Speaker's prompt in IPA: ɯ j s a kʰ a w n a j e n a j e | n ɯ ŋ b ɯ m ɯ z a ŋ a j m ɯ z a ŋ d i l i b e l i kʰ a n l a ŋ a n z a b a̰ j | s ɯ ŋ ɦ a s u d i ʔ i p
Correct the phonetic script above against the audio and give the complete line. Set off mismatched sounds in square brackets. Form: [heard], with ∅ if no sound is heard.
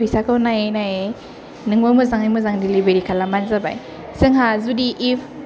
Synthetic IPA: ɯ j s a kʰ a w n a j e n a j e | n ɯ ŋ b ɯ m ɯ z a ŋ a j m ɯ z a ŋ d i l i b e [ɾ] i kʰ a [∅] l a [m] a n z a b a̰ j | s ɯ ŋ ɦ a [z] u d i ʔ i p